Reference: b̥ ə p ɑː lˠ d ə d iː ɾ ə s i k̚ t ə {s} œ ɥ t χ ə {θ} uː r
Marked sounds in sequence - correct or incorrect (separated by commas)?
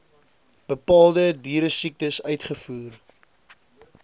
correct, incorrect